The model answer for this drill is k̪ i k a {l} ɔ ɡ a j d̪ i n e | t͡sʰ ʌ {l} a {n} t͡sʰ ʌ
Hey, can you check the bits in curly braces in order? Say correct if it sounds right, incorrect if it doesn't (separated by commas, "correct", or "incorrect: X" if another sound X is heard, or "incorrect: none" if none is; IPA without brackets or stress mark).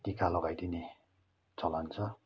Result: correct, correct, correct